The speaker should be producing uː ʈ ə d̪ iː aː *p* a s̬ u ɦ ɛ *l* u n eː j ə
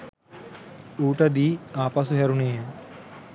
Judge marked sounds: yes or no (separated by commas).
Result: yes, no